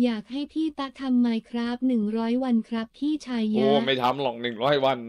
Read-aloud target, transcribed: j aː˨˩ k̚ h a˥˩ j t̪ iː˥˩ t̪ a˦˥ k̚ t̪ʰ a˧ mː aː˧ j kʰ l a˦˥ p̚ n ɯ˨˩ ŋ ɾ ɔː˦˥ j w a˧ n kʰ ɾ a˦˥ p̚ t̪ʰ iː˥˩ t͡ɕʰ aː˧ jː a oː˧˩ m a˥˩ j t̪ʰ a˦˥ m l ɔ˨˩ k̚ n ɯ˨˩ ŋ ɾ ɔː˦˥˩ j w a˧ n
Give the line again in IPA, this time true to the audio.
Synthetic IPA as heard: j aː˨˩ k̚ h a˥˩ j t̪ʰ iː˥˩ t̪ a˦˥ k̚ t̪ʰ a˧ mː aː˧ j kʰ ɾ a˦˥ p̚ n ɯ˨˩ ŋ ɾ ɔː˦˥ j w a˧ n kʰ ɾ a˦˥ p̚ t̪ʰ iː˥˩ t͡ɕʰ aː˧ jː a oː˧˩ m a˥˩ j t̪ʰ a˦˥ m l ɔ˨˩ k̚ n ɯ˨˩ ŋ ɾ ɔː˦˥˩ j w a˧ n

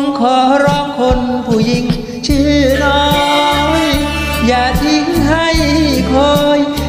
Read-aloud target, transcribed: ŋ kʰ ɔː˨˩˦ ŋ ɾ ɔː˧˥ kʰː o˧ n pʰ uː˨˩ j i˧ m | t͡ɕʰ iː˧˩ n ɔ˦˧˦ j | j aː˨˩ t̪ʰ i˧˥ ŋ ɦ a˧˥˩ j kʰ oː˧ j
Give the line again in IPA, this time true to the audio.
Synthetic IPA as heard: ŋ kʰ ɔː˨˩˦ ɾ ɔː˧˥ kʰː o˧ n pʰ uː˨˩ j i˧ ŋ | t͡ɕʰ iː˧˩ n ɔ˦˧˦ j | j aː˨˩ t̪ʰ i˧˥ ŋ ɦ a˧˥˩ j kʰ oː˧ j

